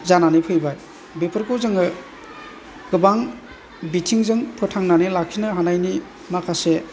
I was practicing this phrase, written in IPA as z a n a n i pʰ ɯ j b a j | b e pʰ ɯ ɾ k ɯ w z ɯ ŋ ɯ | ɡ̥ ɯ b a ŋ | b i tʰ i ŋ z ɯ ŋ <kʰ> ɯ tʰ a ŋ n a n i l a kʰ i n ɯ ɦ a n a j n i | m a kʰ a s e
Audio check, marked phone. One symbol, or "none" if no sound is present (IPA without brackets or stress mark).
pʰ